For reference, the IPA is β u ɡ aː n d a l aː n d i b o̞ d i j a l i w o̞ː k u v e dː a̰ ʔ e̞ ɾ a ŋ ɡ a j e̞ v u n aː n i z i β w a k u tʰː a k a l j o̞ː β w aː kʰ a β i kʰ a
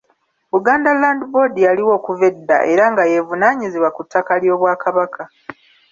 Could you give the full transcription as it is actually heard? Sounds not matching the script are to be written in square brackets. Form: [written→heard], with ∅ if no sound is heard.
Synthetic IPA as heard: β u ɡ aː n d a l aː n d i b o̞ d i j a l i w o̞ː k u v e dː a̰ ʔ e̞ ɾ a ŋ ɡ a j e̞ v u n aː [n→ɲ] i z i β w a k u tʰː a k a l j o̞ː β w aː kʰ a β [i→a] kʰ a